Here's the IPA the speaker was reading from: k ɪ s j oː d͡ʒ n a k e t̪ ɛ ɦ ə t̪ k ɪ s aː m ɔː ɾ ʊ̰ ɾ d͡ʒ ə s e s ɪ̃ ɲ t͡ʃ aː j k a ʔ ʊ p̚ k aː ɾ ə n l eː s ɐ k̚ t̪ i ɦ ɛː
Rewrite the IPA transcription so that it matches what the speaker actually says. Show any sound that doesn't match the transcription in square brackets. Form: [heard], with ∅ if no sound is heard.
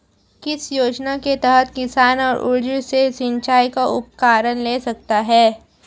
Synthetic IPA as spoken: k ɪ s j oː d͡ʒ n a k e t̪ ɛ ɦ ə t̪ k ɪ s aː [n] ɔː ɾ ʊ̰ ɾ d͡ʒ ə s e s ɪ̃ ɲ t͡ʃ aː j k a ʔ ʊ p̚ k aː ɾ ə n l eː s ɐ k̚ t̪ [a] ɦ ɛː